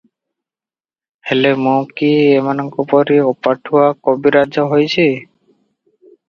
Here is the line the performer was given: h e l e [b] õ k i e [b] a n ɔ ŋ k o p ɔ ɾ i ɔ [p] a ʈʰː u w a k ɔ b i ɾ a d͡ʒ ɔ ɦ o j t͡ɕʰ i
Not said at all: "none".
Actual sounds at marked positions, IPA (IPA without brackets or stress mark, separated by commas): m, m, p